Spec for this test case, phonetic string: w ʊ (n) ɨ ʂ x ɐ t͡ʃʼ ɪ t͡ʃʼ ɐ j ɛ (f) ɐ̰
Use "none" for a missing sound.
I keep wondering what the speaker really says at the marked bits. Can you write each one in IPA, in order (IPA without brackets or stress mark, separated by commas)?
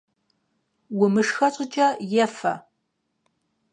m, f